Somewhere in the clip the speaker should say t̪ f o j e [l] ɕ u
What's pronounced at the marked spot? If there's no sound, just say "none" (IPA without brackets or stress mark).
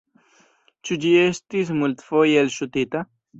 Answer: l